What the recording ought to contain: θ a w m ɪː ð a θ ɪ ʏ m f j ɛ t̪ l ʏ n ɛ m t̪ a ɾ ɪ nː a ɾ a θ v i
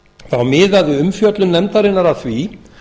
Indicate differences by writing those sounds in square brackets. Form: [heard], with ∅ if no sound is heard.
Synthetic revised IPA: θ a w m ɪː ð a [ð] ɪ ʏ m f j [œ] t̪ l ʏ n ɛ m t̪ a ɾ ɪ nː a ɾ a θ v i